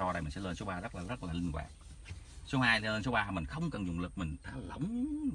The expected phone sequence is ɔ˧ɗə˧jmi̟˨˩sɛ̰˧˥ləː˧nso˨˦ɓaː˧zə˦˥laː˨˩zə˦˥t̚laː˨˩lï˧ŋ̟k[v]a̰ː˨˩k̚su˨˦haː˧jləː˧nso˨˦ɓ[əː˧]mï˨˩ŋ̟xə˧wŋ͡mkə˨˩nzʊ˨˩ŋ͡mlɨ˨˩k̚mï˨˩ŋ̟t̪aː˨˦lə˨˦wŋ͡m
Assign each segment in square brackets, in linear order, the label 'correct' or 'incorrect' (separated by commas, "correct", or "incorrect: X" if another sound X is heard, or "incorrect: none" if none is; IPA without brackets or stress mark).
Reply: incorrect: w, incorrect: aː˧